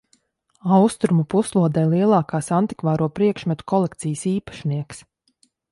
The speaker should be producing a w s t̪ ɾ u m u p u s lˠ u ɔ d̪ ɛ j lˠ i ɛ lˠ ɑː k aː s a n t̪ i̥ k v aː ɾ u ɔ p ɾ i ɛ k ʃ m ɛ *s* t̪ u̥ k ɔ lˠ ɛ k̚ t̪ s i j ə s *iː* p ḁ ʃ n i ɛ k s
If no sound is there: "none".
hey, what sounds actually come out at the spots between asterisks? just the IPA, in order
none, iː

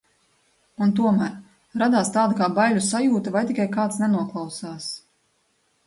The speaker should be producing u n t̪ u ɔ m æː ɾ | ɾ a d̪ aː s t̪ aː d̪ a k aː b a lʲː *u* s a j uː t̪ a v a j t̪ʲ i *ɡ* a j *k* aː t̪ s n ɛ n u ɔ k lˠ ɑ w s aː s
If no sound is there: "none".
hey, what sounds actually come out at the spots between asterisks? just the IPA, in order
u, k, k

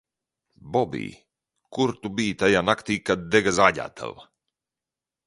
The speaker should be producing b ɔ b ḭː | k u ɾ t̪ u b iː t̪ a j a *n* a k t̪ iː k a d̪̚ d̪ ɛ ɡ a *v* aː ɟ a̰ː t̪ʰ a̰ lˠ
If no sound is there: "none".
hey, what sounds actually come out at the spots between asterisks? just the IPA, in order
n, z

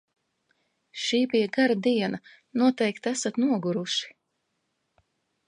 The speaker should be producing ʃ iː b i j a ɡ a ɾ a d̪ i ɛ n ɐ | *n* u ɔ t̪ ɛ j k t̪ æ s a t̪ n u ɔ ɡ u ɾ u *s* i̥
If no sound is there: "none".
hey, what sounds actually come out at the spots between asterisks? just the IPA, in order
n, ʃ

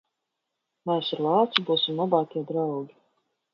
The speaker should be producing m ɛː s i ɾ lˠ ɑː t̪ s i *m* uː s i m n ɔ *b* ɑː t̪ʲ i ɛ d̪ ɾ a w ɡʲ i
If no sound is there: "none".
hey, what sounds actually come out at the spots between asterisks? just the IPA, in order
b, b

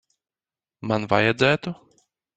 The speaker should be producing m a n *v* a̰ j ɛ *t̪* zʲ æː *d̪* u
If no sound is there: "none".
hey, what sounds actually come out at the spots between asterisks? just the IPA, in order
v, d̪, t̪

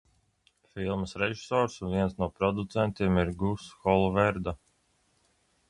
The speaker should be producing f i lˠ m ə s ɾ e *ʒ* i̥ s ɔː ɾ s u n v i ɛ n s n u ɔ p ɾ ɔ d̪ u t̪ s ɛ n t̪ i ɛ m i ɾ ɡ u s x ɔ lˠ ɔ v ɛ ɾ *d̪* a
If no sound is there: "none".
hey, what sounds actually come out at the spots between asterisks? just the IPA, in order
ʒ, d̪

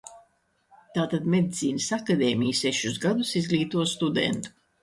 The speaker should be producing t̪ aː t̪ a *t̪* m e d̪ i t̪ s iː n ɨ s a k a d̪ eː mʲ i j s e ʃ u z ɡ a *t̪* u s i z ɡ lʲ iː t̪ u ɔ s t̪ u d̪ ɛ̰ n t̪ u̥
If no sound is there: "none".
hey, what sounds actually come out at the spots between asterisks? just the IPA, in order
d̪, d̪

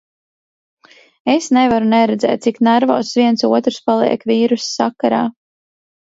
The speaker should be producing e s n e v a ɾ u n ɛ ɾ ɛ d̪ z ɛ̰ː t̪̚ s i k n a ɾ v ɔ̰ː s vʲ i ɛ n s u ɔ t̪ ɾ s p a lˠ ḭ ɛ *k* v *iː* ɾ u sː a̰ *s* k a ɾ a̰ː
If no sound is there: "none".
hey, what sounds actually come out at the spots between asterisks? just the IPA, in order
k, iː, none

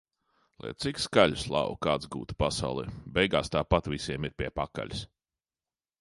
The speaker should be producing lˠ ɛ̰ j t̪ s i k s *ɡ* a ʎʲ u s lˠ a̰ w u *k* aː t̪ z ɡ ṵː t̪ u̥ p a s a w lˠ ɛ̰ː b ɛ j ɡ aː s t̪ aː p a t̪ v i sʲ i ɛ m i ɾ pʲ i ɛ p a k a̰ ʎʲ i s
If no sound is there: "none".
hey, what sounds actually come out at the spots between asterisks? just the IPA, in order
k, k

